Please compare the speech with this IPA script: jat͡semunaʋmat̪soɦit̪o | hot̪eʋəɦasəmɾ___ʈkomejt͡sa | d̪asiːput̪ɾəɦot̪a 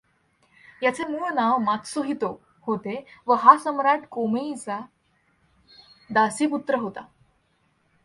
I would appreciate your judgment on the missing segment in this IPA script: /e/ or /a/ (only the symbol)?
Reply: a